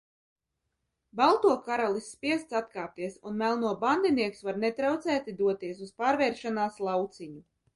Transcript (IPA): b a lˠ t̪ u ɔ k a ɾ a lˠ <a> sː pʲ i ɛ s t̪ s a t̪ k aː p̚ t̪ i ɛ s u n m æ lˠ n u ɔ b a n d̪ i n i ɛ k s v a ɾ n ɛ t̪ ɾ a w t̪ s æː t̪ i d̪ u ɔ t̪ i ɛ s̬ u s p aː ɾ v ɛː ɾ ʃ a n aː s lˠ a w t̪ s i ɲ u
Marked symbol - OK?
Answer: no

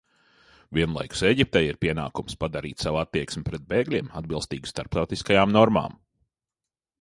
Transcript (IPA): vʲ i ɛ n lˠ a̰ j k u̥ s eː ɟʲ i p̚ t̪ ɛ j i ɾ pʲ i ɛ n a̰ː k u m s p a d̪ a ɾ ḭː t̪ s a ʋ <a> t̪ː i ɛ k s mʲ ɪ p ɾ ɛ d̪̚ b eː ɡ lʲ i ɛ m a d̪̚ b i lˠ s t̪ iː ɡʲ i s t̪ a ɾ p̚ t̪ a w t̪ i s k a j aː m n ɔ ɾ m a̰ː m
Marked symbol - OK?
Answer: yes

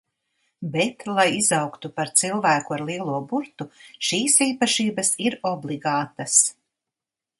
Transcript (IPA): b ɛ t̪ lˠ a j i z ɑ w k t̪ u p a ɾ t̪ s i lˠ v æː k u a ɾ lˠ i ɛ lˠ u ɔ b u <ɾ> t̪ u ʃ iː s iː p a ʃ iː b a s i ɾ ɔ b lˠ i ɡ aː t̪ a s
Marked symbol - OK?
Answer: yes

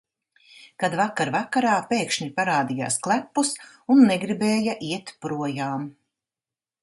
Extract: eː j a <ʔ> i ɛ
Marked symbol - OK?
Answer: yes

